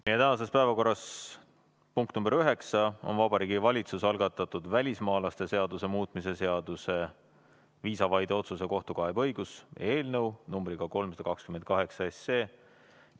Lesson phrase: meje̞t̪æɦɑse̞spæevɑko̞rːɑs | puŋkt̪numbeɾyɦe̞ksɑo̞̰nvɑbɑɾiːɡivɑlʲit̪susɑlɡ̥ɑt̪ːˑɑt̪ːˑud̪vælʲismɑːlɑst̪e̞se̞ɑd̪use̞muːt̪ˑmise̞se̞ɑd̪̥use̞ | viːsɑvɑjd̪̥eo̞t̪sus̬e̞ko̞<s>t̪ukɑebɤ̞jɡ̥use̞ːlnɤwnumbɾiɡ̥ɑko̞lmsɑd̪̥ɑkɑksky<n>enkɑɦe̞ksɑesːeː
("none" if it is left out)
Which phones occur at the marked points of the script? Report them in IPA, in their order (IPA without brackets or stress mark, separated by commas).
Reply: h, m